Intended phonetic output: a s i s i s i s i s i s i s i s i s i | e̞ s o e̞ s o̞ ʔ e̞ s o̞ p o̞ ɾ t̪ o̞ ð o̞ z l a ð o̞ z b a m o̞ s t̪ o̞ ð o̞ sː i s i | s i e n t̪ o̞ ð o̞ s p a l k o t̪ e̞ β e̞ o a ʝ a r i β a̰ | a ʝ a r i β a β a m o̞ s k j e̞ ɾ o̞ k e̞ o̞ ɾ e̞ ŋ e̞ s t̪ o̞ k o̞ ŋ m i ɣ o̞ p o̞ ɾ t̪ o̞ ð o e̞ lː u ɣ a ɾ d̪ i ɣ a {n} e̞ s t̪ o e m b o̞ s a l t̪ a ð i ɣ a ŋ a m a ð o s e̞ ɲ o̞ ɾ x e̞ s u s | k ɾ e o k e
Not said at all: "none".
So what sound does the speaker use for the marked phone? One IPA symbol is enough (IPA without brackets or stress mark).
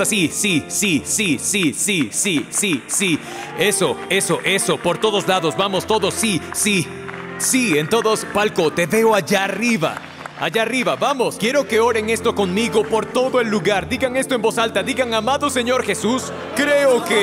ŋ